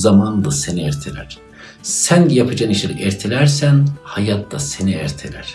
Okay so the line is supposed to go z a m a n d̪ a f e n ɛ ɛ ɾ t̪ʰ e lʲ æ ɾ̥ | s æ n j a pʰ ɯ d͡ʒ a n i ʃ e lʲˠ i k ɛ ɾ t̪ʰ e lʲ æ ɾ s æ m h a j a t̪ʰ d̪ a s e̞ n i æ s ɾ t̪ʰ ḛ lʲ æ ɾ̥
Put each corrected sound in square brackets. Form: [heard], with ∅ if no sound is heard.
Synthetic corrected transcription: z a m a n d̪ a [s] e n [i] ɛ ɾ t̪ʰ e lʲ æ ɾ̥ | s æ n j a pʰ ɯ d͡ʒ a n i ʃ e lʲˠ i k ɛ ɾ t̪ʰ e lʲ æ ɾ s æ [n] h a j a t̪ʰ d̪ a s e̞ n i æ [∅] ɾ t̪ʰ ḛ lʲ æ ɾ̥